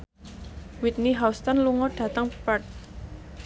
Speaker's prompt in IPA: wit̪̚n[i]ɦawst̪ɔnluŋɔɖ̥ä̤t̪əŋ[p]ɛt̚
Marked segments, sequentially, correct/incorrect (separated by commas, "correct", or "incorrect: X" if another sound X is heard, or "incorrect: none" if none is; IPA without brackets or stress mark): correct, correct